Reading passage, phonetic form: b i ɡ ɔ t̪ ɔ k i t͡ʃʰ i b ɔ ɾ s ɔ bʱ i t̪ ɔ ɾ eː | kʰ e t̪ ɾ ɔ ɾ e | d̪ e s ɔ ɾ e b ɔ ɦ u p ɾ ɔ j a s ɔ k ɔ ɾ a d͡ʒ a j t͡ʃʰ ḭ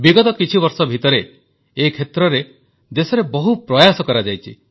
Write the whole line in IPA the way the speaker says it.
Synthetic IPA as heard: b i ɡ ɔ t̪ ɔ k i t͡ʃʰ i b ɔ ɾ s ɔ bʱ i t̪ ɔ ɾ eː | kʰ e t̪ ɾ ɔ ɾ e | d̪ e s ɔ ɾ e b ɔ ɦ u p ɾ ɔ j a s ɔ k ɔ ɾ a d͡ʒ a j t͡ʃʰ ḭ